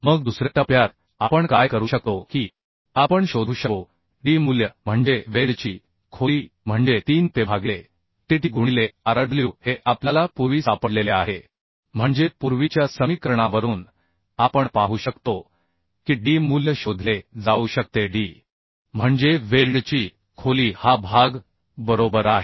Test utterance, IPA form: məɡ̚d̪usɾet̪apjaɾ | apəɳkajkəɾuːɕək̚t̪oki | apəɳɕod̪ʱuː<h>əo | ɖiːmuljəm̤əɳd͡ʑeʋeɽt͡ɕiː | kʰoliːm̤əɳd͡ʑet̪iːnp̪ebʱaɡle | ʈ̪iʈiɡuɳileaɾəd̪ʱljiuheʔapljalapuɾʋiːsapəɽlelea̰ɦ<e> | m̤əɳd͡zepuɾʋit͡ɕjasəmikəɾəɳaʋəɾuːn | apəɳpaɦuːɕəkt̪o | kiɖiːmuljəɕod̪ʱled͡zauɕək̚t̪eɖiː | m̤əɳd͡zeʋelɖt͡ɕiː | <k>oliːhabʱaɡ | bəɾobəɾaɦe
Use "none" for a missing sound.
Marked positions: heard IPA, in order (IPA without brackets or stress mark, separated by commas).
ɕ, e, kʰ